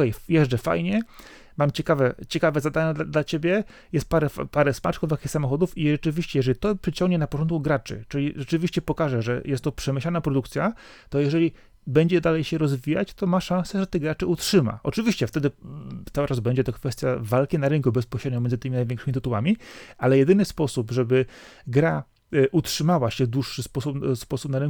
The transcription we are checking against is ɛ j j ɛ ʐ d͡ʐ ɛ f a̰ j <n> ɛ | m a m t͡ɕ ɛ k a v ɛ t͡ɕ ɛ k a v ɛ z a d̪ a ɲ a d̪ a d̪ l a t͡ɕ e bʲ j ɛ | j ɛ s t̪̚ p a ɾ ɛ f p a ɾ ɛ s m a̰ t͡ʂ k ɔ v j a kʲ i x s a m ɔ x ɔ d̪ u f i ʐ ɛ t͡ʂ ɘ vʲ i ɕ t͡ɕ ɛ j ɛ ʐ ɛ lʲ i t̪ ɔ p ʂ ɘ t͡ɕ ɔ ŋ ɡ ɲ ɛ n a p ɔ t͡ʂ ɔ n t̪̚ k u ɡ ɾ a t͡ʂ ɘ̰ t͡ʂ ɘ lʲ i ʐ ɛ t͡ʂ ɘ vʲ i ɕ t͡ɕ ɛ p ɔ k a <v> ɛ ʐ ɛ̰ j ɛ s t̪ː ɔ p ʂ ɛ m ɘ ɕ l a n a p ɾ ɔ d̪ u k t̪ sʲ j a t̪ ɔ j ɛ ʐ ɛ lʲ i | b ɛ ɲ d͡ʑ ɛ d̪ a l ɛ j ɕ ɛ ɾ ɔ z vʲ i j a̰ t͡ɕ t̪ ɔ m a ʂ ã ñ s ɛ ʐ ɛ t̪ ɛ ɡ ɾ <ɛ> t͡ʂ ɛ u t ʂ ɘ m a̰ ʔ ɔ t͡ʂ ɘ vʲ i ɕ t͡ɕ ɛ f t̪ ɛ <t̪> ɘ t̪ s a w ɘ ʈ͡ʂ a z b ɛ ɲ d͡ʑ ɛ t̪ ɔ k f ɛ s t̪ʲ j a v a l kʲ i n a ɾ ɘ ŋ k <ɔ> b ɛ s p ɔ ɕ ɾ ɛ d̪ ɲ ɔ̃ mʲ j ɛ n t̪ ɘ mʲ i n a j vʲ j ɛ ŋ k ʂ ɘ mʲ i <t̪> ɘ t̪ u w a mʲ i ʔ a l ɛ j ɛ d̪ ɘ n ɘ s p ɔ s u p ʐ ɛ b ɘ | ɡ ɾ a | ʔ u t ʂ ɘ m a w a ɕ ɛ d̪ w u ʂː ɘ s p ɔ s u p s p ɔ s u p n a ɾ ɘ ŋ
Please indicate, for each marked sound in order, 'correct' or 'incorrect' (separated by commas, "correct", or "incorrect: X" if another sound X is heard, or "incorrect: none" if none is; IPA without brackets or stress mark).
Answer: incorrect: ɲ, incorrect: ʐ, incorrect: a, incorrect: d̪, incorrect: u, correct